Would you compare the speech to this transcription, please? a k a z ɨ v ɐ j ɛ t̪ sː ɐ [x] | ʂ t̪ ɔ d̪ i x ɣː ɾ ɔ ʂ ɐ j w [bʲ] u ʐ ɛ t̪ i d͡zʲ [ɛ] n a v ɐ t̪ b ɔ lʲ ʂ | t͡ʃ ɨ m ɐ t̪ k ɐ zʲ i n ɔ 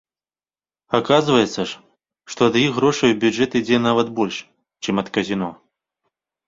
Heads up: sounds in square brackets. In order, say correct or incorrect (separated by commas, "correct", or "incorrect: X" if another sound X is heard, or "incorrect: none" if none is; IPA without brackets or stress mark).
incorrect: ʂ, correct, correct